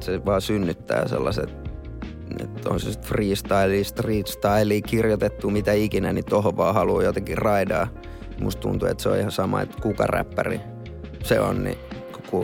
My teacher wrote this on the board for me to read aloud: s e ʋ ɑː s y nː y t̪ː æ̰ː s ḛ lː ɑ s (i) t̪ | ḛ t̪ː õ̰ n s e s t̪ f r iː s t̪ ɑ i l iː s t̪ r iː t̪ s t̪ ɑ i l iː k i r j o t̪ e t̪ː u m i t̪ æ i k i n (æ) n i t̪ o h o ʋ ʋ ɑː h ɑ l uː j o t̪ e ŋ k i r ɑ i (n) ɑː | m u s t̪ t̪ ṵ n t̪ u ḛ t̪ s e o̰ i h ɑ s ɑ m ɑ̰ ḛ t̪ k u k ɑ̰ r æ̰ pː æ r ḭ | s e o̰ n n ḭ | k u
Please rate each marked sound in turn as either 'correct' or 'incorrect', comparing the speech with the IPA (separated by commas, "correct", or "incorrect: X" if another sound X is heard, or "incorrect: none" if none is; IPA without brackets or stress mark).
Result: incorrect: e, correct, incorrect: d